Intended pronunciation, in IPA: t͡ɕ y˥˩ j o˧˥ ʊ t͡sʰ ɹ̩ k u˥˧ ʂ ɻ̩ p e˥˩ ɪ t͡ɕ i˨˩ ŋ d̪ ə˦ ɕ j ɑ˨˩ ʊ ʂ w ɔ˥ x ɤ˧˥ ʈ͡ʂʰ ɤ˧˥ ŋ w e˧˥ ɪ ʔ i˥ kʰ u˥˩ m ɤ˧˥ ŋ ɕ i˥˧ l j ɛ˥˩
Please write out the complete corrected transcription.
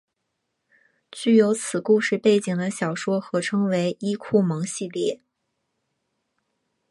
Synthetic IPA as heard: t͡ɕ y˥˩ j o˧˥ ʊ t͡sʰ ɹ̩ k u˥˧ ʂ ɻ̩ p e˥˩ ɪ t͡ɕ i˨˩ ŋ d̪ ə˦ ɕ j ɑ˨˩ ʊ ʂ w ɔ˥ x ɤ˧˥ ʈ͡ʂʰ ɤ˥ ŋ w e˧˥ ɪ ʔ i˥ kʰ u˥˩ m ɤ˧˥ ŋ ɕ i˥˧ l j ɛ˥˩